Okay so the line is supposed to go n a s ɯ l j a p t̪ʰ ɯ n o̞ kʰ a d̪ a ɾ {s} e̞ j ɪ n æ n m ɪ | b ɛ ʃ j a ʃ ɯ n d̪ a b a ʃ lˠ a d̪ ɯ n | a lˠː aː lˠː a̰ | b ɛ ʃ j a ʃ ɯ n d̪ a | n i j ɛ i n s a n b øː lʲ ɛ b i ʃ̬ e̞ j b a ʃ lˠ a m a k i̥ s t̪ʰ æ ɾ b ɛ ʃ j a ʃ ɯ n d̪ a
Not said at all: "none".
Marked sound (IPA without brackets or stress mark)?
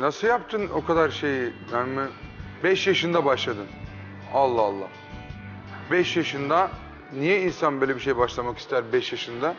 ʃ